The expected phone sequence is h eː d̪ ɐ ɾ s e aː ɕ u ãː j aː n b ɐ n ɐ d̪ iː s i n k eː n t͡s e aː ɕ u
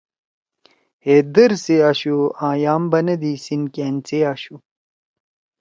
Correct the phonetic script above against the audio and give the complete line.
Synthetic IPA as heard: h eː d̪ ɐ ɾ s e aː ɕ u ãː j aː m b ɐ n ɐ d̪ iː s i n k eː n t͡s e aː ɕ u